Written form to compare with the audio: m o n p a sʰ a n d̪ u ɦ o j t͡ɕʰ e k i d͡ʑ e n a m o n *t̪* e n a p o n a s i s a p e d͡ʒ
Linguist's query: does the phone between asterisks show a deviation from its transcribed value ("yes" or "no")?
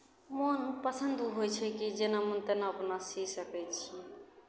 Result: no